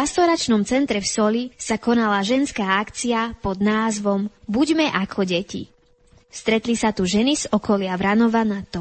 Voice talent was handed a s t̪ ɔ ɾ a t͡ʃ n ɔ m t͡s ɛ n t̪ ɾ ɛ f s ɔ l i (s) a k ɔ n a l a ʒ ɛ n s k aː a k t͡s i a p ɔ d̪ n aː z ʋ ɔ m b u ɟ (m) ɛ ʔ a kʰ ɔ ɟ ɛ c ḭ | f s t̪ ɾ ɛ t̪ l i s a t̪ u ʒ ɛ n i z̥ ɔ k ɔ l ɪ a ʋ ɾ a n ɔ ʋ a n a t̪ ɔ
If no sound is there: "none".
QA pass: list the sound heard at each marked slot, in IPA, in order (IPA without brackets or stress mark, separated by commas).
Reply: s, m